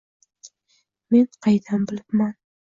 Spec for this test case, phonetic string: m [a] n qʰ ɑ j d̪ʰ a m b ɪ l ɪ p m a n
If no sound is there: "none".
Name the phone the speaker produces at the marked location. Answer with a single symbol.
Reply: e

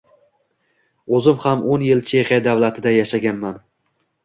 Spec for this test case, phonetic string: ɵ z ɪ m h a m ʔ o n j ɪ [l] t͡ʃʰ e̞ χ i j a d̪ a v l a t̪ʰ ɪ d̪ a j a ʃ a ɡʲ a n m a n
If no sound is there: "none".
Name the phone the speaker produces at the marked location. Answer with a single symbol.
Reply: l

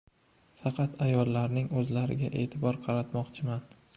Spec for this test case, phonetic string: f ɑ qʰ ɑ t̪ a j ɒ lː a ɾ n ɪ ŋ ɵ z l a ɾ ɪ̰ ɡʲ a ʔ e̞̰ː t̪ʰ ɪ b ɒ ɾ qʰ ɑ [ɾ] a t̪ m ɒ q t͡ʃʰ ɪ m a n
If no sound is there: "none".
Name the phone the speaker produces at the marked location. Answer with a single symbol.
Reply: ɾ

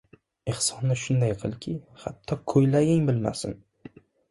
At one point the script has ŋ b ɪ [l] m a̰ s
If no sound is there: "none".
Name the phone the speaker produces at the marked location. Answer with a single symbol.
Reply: l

